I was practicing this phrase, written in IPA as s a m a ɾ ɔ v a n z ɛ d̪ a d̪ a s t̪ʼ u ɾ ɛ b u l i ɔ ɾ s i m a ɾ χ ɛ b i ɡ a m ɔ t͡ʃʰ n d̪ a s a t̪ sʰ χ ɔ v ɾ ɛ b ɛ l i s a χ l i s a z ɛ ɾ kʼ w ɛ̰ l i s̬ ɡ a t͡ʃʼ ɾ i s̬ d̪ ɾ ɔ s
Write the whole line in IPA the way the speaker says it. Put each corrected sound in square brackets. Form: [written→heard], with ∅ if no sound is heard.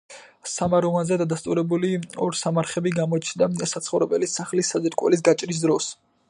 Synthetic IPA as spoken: s a m a ɾ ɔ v a n z ɛ d̪ a d̪ a s t̪ʼ u ɾ ɛ b u l i ɔ ɾ s [i→a] m a ɾ χ ɛ b i ɡ a m ɔ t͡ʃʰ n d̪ a s a t̪ sʰ χ ɔ v ɾ ɛ b ɛ l i s a χ l i s a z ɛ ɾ kʼ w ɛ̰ l i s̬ ɡ a t͡ʃʼ ɾ i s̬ d̪ ɾ ɔ s